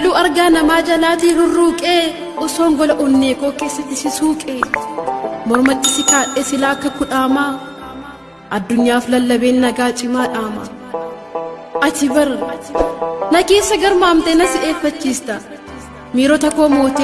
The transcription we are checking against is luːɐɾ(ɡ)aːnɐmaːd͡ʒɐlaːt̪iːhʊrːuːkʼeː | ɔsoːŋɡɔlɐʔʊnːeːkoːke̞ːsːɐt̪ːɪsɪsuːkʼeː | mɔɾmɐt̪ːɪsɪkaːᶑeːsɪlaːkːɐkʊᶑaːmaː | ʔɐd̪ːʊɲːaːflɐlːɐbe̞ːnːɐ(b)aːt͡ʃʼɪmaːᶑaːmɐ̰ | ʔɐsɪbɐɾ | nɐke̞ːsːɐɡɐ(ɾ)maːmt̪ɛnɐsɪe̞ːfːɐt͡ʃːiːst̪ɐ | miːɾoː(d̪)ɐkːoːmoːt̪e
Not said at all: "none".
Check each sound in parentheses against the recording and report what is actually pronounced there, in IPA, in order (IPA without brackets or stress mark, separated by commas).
ɡ, ɡ, ɾ, t̪